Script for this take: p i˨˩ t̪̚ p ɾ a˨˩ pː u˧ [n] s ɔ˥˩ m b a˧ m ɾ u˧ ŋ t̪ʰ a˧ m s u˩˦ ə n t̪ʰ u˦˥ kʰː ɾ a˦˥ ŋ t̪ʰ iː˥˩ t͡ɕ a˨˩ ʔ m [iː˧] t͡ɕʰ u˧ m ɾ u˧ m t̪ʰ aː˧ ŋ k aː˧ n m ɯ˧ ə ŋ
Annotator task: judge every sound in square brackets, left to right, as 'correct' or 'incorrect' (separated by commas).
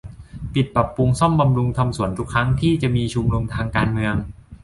incorrect, correct